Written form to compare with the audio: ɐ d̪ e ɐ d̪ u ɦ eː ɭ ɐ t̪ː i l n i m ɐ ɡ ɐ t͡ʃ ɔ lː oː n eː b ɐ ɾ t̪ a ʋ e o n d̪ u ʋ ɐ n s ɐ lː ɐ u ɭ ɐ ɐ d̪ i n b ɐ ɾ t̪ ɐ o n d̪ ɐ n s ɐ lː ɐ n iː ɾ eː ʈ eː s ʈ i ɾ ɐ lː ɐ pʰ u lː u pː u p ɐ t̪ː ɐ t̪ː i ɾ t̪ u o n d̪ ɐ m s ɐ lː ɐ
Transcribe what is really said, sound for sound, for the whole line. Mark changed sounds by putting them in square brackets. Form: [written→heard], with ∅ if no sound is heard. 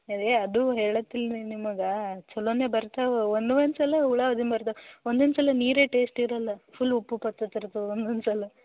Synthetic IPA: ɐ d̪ e ɐ d̪ u ɦ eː ɭ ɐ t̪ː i l n i m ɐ ɡ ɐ t͡ʃ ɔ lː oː n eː b ɐ ɾ t̪ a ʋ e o n d̪ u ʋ ɐ n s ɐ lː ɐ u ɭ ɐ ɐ d̪ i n b ɐ ɾ t̪ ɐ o n d̪ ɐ n s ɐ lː ɐ n iː ɾ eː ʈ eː s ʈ i ɾ ɐ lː ɐ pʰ u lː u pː u p ɐ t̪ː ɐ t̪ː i ɾ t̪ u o n d̪ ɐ [m→n] s ɐ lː ɐ